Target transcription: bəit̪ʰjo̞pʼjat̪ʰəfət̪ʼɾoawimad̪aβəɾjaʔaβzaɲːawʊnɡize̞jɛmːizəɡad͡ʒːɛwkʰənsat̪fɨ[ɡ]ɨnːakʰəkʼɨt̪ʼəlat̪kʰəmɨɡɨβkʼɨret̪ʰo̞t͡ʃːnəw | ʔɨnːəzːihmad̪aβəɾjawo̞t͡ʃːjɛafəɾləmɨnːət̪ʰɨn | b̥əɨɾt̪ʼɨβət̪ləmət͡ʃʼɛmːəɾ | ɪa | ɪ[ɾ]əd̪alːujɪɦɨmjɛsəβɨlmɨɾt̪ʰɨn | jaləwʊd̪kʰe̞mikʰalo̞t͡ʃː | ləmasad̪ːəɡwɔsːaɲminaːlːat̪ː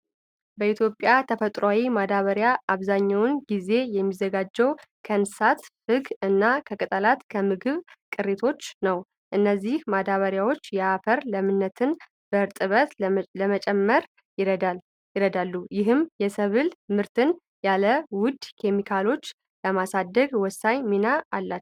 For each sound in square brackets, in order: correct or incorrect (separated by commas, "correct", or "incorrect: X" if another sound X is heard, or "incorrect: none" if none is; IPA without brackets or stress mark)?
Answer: correct, correct